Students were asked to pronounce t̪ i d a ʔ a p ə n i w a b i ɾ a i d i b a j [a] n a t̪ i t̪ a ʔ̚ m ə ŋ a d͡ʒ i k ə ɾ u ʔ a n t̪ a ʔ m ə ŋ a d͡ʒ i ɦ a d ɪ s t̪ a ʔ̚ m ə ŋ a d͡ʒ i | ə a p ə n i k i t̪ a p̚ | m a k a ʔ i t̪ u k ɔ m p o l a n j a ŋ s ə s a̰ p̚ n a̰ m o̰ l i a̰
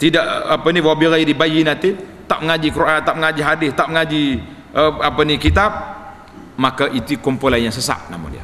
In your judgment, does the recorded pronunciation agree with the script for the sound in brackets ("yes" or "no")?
no